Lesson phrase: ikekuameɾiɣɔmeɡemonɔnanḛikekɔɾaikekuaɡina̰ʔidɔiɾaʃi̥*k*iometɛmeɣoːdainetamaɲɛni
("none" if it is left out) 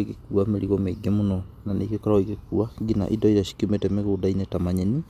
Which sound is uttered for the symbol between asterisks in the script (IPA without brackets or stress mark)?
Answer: k